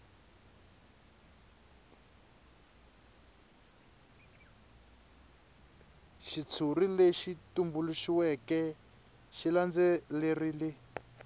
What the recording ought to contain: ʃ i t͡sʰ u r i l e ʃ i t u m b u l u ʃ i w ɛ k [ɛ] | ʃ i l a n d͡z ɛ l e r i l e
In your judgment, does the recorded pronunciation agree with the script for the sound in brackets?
yes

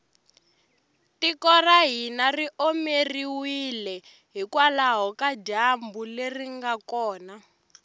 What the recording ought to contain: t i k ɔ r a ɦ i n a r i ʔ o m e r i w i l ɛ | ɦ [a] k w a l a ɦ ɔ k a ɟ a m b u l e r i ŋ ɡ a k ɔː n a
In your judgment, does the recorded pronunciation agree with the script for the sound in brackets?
no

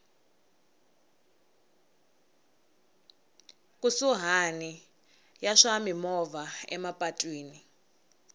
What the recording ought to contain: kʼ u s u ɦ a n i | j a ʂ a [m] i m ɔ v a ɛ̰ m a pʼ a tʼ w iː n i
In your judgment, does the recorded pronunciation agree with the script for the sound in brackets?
yes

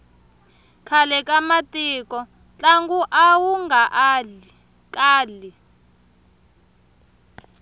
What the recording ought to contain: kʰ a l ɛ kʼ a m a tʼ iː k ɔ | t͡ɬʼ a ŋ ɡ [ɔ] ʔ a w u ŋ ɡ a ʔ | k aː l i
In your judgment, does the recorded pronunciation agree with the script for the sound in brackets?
no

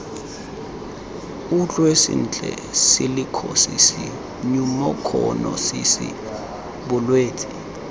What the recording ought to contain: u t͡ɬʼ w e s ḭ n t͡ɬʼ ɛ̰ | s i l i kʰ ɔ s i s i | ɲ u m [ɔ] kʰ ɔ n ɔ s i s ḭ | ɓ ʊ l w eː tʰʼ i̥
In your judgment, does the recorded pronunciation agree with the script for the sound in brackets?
yes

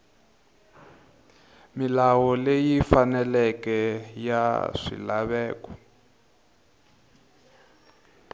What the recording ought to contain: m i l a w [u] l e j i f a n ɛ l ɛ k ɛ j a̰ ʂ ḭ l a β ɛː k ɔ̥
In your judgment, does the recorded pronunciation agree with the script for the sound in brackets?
no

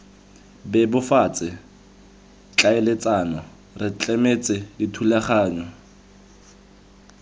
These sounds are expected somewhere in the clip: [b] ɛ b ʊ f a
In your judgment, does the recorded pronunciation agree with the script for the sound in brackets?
yes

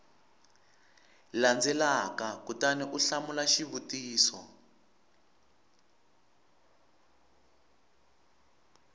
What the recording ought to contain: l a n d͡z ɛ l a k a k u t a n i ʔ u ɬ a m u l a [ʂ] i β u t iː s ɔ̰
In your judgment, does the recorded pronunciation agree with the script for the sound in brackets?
no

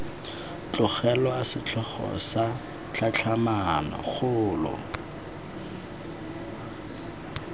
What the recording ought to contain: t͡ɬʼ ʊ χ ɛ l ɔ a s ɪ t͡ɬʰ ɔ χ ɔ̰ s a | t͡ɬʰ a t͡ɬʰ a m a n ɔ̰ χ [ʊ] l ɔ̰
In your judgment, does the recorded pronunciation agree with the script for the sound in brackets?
no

